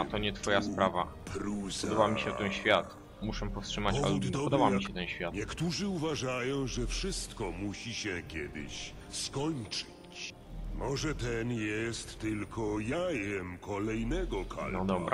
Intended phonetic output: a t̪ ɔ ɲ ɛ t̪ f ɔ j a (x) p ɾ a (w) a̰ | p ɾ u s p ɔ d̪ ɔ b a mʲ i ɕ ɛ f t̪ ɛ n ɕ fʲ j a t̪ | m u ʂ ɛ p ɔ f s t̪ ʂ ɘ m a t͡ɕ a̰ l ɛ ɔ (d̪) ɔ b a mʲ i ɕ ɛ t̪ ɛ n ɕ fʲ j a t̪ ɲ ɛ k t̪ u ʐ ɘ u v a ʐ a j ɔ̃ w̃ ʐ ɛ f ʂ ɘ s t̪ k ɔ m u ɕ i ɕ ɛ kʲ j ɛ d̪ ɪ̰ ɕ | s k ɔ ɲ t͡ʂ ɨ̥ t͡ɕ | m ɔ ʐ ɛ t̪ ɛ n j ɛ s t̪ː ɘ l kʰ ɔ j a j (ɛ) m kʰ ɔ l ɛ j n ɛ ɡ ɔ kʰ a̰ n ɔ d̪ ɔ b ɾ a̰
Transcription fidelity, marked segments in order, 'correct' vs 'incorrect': incorrect, incorrect, correct, correct

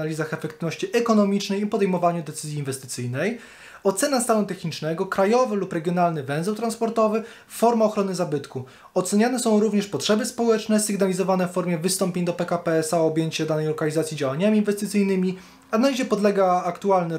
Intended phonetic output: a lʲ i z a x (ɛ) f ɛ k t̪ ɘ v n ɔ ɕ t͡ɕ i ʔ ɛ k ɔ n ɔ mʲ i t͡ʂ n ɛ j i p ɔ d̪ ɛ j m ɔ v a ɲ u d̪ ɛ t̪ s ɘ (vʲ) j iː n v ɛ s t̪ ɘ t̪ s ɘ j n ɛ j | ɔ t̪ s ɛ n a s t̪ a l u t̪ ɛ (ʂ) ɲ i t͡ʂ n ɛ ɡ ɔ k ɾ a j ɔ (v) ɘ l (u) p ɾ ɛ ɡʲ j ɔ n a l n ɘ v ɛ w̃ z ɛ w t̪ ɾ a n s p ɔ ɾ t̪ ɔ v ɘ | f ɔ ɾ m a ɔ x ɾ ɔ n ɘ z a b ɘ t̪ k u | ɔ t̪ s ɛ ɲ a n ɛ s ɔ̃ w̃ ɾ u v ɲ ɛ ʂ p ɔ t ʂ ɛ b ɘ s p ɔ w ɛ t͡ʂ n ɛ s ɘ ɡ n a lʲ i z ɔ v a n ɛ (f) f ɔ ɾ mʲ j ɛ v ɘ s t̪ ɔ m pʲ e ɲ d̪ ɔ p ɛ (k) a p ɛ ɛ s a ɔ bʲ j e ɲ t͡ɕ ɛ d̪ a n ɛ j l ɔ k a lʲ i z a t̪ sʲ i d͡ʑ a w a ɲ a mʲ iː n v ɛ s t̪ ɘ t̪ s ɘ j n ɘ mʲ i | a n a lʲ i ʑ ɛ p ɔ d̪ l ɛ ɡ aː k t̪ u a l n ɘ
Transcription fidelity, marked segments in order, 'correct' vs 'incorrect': correct, incorrect, incorrect, correct, correct, correct, correct

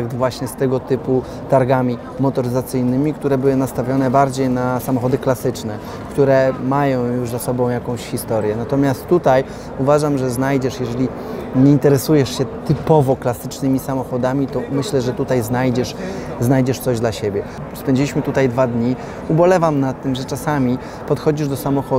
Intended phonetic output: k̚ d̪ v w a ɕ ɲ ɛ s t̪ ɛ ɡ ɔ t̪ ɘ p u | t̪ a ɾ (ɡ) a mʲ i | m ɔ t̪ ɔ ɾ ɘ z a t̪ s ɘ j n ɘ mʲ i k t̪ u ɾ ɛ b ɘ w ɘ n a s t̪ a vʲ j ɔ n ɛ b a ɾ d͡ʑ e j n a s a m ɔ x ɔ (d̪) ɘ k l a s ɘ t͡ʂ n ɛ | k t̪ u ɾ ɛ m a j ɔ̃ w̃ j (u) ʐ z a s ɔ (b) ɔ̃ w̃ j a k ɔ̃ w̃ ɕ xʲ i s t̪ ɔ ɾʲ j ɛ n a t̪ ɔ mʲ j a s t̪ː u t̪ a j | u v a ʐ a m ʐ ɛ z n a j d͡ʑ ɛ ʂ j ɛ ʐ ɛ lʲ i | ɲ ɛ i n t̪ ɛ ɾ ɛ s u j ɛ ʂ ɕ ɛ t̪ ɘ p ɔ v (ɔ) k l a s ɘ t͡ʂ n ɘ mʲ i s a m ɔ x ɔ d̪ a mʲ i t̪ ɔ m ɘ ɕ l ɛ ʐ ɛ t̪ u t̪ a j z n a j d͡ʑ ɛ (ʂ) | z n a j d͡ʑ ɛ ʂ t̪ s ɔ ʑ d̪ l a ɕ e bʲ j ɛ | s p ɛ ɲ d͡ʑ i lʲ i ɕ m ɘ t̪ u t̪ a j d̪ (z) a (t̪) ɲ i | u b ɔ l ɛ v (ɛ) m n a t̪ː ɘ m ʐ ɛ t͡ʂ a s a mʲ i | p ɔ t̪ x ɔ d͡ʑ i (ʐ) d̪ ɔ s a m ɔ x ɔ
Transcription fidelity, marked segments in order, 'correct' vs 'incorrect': correct, correct, correct, correct, correct, correct, incorrect, incorrect, incorrect, correct

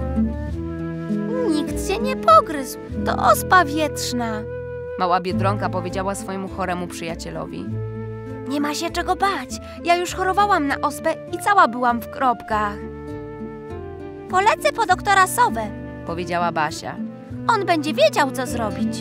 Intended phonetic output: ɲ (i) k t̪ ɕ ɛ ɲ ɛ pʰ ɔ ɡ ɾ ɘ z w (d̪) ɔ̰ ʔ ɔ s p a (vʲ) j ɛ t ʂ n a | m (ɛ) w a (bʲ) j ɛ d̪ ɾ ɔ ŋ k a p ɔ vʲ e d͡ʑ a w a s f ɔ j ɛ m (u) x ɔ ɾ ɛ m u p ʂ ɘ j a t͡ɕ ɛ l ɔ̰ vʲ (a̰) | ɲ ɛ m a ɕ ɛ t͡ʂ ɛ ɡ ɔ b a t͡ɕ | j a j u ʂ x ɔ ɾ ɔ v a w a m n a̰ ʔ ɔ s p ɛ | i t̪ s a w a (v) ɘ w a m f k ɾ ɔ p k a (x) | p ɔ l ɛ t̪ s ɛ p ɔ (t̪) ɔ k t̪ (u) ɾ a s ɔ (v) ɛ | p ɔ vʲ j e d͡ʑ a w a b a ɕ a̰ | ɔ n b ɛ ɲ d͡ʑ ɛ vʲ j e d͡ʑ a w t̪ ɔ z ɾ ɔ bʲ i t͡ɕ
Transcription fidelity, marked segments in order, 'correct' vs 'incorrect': correct, incorrect, correct, incorrect, correct, correct, incorrect, incorrect, correct, incorrect, incorrect, correct

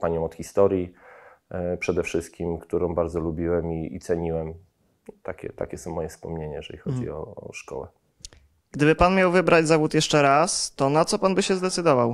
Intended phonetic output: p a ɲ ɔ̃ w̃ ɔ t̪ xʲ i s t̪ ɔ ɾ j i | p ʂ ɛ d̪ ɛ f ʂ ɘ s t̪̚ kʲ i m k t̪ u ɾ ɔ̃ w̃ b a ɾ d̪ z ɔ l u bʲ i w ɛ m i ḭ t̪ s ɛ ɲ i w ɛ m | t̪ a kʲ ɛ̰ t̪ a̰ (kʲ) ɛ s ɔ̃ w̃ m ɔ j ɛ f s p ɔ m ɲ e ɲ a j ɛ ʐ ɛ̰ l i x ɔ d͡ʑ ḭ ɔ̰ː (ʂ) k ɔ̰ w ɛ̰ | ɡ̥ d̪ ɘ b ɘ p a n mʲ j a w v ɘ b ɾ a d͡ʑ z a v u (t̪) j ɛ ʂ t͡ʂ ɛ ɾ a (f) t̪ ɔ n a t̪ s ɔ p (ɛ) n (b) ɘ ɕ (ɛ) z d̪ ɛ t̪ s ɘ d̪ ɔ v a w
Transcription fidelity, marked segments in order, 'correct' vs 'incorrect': correct, correct, correct, incorrect, incorrect, correct, correct

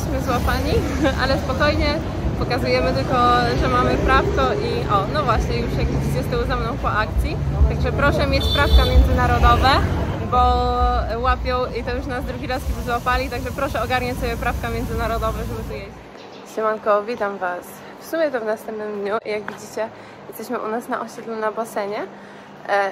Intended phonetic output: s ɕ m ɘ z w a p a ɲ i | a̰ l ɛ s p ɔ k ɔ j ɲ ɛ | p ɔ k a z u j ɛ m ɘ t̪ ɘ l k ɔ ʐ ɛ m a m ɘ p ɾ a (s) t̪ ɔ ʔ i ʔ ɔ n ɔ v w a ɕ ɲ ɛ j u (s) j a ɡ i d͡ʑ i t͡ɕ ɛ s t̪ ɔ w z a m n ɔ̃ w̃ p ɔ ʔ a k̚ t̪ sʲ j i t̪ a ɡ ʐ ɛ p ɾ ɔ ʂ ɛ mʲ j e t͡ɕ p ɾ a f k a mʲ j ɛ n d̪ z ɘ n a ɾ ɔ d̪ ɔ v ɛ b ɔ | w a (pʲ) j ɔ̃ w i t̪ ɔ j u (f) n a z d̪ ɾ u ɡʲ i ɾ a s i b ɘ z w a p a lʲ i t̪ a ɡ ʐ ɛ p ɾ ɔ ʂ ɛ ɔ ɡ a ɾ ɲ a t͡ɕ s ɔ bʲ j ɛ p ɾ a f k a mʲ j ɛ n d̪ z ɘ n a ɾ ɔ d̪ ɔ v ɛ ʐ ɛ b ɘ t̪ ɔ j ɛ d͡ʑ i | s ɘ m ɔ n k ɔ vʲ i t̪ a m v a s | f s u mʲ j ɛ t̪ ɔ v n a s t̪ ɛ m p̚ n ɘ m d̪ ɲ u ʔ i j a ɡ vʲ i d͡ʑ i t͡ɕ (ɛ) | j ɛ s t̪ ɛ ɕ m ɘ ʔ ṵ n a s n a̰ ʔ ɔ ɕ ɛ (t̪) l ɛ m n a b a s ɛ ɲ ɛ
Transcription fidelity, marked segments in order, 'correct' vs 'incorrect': incorrect, incorrect, correct, incorrect, correct, incorrect

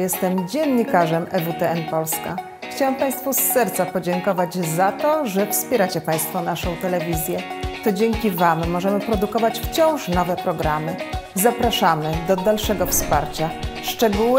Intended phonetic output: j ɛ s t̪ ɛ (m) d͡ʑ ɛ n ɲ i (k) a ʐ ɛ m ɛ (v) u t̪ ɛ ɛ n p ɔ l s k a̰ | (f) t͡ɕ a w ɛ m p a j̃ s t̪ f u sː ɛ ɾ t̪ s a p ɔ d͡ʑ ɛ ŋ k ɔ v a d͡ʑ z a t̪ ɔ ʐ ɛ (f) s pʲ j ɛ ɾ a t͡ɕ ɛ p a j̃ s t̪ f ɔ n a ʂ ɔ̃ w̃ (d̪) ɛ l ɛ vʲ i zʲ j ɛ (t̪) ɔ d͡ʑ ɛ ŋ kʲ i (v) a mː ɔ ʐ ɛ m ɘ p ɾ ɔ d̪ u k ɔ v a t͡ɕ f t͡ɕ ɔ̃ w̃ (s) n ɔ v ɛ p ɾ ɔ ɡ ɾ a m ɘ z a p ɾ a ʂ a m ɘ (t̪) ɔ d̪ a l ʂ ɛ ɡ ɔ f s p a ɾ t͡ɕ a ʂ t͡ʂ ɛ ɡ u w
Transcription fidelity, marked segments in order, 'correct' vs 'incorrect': correct, correct, correct, incorrect, correct, incorrect, correct, correct, incorrect, incorrect

